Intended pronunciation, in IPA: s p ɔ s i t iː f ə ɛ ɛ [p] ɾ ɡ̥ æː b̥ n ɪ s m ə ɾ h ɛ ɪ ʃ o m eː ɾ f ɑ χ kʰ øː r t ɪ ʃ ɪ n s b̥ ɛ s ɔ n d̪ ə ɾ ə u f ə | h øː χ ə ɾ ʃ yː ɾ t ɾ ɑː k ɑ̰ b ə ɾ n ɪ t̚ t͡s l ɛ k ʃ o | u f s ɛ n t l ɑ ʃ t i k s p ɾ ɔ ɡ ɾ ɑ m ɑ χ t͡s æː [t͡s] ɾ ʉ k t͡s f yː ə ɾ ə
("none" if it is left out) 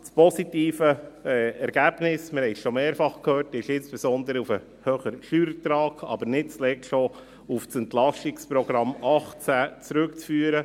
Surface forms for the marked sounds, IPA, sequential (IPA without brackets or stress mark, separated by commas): none, t͡s